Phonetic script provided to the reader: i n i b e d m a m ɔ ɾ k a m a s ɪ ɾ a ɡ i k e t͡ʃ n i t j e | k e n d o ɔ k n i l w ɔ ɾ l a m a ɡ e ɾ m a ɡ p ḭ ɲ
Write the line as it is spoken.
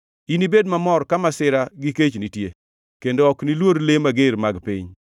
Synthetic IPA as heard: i n i b e d m a m ɔ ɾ k a m a s ɪ ɾ a ɡ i k e t͡ʃ n i t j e | k e n d o ɔ k n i l w o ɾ l e m a ɡ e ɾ m a ɡ p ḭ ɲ